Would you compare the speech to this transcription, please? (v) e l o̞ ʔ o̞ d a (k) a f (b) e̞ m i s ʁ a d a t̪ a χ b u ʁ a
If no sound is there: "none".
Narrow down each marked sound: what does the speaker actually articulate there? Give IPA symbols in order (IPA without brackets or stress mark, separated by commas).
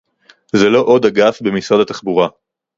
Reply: z, ɡ, b